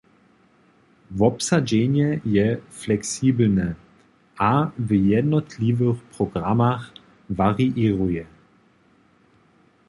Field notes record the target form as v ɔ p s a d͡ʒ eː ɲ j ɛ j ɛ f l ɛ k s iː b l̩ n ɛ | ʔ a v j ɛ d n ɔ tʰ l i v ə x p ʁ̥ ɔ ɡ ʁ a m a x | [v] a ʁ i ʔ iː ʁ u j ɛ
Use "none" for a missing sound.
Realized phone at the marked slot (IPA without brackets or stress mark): v